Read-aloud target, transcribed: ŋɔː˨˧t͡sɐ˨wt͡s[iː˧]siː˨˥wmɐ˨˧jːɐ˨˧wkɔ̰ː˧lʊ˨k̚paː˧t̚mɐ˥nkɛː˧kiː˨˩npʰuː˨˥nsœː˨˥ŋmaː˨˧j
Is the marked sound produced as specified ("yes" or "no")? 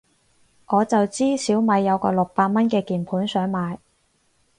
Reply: no